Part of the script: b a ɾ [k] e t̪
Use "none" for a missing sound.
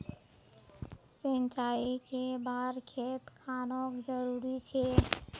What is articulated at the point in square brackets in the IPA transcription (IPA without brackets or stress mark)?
kʰ